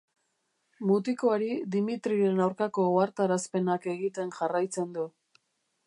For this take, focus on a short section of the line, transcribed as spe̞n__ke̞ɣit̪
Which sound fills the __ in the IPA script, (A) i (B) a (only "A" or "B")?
B